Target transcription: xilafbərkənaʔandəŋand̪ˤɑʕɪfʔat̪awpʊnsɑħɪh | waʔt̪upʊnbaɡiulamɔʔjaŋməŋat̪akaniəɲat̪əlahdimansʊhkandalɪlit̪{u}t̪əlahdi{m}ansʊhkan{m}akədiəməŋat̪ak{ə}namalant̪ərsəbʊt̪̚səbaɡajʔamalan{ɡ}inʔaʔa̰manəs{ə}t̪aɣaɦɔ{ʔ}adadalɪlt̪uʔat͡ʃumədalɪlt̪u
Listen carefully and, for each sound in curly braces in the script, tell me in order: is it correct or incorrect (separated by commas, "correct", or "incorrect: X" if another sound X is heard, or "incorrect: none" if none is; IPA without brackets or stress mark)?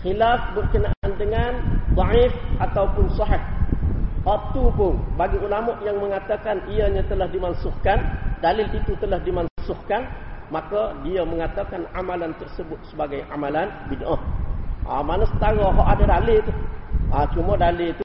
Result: correct, correct, correct, incorrect: a, incorrect: b, correct, correct